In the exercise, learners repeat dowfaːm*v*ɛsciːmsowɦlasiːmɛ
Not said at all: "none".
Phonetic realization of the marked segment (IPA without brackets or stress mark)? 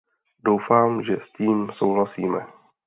ʒ